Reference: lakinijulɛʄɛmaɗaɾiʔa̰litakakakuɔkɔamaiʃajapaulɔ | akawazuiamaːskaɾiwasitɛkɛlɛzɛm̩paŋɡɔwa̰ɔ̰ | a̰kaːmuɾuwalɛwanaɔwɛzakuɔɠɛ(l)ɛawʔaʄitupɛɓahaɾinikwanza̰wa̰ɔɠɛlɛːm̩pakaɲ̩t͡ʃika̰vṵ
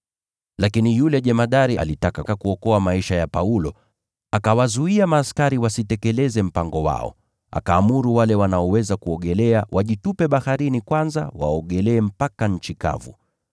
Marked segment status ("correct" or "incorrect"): correct